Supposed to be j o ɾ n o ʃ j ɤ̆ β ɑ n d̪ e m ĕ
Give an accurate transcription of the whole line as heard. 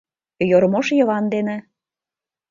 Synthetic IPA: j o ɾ m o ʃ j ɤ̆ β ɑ n d̪ e n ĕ